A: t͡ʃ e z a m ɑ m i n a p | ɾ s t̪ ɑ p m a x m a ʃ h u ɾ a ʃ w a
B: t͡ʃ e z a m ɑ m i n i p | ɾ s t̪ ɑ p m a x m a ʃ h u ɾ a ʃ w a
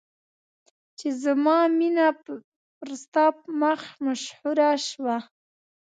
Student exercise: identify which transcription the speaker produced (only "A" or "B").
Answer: A